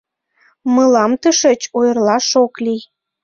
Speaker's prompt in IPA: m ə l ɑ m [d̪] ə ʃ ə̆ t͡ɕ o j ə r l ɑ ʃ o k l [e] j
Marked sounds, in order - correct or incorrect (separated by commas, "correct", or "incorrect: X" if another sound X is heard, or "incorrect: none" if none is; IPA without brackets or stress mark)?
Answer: incorrect: t̪, incorrect: i